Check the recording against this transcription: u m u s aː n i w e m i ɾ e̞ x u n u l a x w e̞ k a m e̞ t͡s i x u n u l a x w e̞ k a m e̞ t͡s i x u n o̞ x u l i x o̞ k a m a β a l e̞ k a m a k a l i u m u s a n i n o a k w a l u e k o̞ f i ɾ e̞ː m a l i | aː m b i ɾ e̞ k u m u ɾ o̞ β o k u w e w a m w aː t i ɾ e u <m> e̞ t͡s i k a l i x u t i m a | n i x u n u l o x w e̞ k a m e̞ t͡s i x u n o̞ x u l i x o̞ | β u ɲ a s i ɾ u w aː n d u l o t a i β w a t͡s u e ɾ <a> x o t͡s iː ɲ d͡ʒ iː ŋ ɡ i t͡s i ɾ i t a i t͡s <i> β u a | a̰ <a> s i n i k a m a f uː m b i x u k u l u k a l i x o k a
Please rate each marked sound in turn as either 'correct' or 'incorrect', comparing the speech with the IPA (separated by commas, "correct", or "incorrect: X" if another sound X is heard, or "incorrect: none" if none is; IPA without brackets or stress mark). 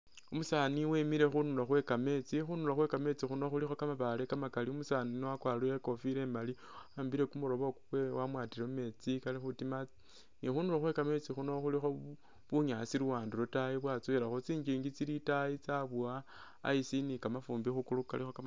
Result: correct, correct, incorrect: a, incorrect: i